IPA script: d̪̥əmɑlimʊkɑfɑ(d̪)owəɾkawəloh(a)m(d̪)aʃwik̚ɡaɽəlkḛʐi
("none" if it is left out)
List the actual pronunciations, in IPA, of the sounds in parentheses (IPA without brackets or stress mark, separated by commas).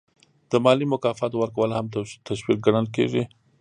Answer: t̪, a, t̪